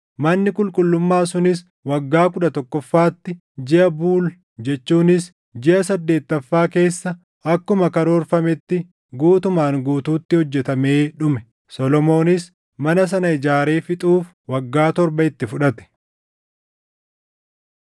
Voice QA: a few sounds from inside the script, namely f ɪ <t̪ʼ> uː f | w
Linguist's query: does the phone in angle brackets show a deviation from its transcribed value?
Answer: no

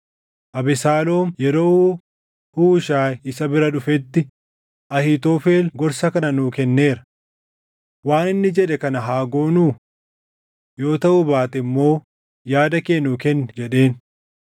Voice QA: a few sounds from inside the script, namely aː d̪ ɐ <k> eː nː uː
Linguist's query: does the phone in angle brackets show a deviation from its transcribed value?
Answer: no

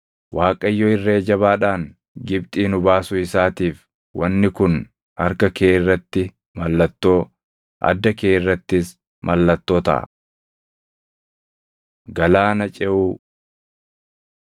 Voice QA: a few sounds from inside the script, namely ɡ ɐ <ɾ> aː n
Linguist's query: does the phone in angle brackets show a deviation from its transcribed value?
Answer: yes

